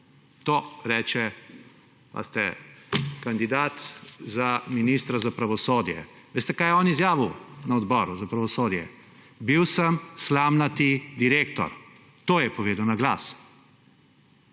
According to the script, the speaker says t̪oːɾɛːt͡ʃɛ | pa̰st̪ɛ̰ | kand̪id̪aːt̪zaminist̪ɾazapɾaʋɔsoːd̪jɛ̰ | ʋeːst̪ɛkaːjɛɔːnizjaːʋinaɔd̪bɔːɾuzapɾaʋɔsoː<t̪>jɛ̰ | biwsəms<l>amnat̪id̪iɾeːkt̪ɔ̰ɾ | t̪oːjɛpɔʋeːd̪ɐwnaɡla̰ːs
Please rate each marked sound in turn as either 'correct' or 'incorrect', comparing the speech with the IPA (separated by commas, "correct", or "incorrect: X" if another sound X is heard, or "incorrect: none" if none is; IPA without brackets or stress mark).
incorrect: d̪, correct